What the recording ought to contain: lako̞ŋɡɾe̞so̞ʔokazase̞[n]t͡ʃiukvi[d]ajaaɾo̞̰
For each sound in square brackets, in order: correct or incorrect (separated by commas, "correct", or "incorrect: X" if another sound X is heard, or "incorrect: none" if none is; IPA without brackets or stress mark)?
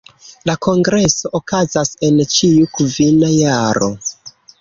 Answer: correct, incorrect: n